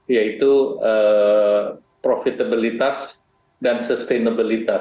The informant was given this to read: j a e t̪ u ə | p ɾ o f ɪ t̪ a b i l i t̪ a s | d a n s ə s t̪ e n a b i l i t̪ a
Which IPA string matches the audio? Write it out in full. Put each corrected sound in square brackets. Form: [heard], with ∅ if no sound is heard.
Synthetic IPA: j a [i] t̪ u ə | p ɾ o f [i] t̪ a b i l i t̪ a s | d a n s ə s t̪ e n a b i l i t̪ a